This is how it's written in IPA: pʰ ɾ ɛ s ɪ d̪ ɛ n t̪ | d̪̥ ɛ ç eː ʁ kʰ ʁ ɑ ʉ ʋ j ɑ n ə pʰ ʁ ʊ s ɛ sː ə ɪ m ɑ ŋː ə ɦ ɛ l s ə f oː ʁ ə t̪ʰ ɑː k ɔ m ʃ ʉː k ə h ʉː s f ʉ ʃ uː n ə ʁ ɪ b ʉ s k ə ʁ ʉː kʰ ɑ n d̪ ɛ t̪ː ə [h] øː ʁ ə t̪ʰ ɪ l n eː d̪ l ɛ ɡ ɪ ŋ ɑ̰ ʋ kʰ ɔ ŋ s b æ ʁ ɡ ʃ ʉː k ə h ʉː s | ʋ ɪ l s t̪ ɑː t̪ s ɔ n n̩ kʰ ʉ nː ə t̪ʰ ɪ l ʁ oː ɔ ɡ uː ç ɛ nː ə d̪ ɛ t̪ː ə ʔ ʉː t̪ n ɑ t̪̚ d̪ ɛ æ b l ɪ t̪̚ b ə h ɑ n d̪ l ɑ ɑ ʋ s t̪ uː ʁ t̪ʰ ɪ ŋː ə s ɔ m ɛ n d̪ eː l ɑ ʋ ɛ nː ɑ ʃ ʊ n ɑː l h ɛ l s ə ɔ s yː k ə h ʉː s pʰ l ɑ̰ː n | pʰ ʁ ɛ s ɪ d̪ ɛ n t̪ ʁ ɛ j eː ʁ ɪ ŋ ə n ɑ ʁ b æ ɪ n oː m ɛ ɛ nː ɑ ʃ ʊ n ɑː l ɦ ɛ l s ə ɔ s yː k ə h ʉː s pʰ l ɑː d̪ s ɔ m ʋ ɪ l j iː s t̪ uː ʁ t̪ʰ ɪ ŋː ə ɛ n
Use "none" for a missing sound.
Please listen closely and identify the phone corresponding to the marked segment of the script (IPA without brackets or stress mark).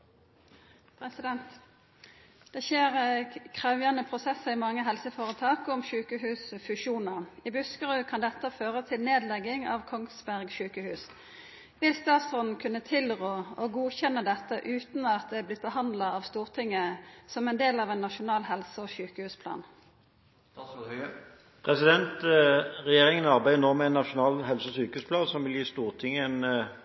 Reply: f